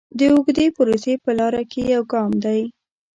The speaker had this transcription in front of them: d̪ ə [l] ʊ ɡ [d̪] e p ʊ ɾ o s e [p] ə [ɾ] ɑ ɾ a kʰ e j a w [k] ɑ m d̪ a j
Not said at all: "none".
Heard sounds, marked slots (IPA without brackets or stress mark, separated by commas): none, d̪, p, l, ɡ